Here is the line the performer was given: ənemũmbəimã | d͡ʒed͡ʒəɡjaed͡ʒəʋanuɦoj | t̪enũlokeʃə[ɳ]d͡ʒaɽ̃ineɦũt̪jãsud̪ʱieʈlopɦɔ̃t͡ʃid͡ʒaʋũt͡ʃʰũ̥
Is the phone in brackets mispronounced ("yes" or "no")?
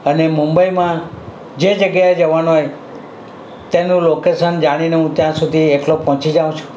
yes